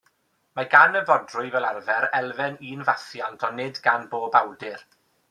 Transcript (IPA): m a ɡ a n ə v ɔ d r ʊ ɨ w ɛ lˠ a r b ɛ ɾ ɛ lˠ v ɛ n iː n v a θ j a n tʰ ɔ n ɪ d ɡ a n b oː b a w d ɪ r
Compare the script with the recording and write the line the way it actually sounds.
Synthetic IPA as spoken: m a ɡ a n ə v ɔ d r ʊ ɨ v ɛ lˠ a r v ɛ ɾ ɛ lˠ v ɛ n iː n v a θ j a n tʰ ɔ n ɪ d ɡ a n b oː b a w d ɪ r